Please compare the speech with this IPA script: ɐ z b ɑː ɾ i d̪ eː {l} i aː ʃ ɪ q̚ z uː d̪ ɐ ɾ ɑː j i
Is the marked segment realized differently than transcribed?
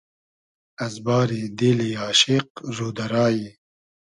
no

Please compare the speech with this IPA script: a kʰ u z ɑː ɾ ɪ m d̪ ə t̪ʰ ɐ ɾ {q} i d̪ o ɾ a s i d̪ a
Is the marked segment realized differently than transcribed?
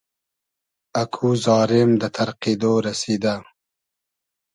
no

